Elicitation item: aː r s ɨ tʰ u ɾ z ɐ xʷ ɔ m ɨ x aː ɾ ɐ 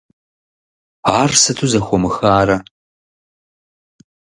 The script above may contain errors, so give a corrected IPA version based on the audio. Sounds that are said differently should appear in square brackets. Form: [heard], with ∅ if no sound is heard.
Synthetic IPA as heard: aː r s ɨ tʰ u [∅] z ɐ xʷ ɔ m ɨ x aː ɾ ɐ